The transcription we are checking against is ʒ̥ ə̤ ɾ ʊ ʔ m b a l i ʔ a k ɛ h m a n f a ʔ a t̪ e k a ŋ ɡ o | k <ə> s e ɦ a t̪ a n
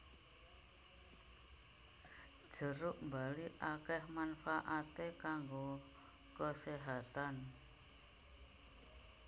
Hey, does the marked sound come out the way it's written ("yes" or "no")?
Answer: yes